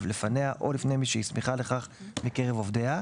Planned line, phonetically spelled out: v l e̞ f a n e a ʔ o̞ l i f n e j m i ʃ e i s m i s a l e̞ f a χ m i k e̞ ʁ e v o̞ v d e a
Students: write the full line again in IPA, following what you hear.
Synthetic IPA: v l e̞ f a n e a ʔ o̞ l i f n e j m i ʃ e i s m i χ a l e̞ χ a χ m i k e̞ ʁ e v o̞ v d e a